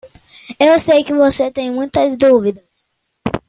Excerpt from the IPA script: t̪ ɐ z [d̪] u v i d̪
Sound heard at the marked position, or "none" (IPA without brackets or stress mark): d̪